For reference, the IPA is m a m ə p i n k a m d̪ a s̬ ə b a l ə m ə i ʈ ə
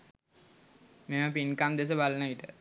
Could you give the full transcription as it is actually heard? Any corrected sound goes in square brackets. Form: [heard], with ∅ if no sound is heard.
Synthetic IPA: m [e] m ə p i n k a m d̪ [e] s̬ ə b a l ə [n] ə i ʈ ə